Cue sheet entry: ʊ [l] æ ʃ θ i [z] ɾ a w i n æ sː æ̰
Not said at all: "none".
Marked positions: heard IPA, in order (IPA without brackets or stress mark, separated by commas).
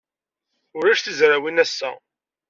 ɾ, z